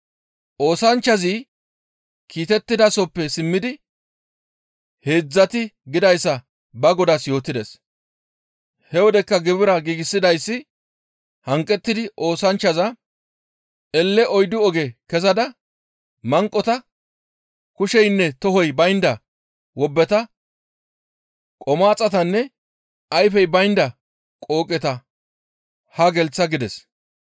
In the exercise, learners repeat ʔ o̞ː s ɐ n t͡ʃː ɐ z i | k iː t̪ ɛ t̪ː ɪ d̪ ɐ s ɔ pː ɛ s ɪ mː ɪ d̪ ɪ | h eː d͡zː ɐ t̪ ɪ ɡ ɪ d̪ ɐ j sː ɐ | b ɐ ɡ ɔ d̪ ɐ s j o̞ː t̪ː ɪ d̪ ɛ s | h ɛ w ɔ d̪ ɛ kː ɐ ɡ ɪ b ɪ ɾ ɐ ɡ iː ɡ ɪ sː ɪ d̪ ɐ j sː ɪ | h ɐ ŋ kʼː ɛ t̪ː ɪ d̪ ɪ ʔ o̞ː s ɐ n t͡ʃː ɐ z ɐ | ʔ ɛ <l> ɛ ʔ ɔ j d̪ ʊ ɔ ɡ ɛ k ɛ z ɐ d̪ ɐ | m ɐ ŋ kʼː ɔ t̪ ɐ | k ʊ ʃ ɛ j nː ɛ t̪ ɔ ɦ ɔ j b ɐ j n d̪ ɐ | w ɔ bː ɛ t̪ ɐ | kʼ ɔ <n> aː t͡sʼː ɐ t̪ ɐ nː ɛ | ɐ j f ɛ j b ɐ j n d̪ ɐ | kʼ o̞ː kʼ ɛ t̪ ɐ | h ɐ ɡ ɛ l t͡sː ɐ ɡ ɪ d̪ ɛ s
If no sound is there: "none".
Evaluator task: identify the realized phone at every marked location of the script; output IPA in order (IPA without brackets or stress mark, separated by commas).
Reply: lː, m